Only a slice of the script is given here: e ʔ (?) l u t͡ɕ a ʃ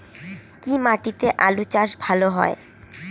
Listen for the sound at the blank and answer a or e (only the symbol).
a